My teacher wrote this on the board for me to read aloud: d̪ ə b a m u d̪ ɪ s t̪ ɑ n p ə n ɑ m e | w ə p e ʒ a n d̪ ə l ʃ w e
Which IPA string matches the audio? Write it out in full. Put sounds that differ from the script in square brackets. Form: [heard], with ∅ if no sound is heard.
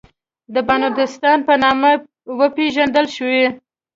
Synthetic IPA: d̪ ə b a [n] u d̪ ɪ s t̪ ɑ n p ə n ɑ m [a] | w ə p e ʒ a n d̪ ə l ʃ w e

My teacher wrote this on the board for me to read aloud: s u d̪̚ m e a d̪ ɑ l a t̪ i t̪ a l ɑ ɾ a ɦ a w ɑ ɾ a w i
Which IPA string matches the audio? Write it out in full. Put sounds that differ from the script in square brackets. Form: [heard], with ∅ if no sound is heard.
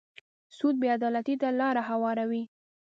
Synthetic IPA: s u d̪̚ [b] e a d̪ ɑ l a t̪ i t̪ a l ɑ ɾ a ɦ a w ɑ ɾ a w i

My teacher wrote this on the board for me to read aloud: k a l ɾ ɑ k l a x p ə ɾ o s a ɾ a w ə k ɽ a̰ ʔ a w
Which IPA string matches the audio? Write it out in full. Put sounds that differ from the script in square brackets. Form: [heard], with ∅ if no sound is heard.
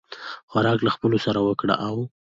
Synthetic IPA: [x] a [∅] ɾ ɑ k l a x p ə [l] o s a ɾ a w ə k ɽ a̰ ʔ a w

